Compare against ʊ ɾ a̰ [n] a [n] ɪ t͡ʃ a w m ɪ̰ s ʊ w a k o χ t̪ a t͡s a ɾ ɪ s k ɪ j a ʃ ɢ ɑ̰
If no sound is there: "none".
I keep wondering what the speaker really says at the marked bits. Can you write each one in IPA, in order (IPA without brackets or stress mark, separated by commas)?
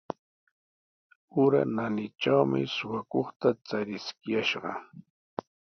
n, n